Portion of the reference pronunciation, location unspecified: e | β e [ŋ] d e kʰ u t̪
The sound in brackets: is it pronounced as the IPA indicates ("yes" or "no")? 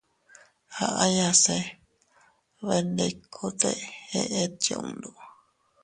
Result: no